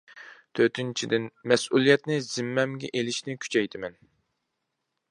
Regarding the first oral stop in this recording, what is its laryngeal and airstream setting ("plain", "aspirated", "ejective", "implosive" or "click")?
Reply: aspirated